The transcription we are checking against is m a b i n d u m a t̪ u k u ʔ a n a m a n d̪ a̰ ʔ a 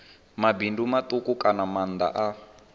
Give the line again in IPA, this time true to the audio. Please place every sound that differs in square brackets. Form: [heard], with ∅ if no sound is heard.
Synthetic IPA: m a b i n d u m a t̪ u k u [k] a n a m a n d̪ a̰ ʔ a